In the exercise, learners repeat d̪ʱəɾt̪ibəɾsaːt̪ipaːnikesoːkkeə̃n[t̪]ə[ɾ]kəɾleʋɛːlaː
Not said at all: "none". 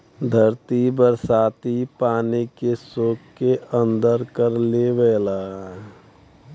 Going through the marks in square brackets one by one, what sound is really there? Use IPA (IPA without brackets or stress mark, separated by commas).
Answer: d̪, ɾ